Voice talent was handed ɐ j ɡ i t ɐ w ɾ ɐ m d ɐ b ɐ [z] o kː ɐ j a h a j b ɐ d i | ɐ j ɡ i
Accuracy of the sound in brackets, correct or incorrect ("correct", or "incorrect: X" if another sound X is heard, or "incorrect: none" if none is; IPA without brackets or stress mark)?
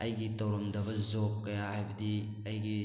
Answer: correct